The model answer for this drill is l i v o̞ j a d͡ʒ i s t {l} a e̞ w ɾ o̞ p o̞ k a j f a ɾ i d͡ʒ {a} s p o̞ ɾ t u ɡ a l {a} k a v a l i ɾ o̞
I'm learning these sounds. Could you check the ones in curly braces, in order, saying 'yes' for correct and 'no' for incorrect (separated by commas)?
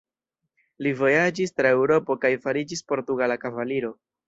no, no, yes